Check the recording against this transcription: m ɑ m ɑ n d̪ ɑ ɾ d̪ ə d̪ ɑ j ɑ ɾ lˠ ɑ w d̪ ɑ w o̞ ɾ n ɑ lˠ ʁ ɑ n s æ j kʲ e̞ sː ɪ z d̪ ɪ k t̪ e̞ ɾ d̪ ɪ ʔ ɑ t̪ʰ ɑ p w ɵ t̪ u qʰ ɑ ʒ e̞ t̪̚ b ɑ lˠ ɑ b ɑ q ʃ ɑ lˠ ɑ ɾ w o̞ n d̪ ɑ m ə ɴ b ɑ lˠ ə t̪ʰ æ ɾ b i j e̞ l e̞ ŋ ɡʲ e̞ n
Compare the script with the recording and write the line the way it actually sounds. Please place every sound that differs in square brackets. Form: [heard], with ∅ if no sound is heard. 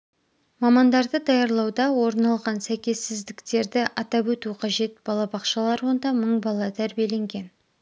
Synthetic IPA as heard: m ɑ m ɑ n d̪ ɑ ɾ d̪ ə d̪ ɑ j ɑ ɾ lˠ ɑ w d̪ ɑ w o̞ ɾ n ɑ lˠ ʁ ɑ n s æ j kʲ e̞ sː ɪ z d̪ ɪ k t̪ e̞ ɾ d̪ ɪ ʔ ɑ [t̪] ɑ p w ɵ t̪ u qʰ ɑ ʒ e̞ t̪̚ b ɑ lˠ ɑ b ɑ q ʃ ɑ lˠ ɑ ɾ w o̞ n d̪ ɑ m ə ɴ b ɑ lˠ [ɑ] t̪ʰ æ ɾ b i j e̞ l e̞ ŋ ɡʲ e̞ n

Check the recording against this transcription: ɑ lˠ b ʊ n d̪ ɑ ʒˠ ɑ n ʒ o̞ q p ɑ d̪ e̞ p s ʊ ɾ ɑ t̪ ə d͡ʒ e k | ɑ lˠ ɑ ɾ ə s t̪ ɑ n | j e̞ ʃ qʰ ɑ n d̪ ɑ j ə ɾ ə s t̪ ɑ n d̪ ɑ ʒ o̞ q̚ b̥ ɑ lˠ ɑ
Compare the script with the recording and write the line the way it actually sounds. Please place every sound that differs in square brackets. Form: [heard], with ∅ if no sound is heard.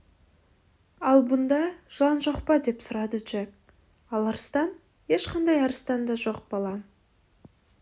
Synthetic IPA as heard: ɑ lˠ b ʊ n d̪ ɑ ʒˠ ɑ n ʒ o̞ q p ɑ d̪ e̞ p s ʊ ɾ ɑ [d̪] ə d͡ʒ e k | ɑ lˠ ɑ ɾ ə s t̪ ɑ n | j e̞ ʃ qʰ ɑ n d̪ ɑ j [ɑ] ɾ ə s t̪ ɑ n d̪ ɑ ʒ o̞ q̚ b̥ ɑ lˠ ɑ

